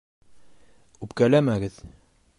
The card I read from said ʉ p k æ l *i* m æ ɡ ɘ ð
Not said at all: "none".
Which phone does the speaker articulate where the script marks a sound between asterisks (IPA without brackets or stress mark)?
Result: æ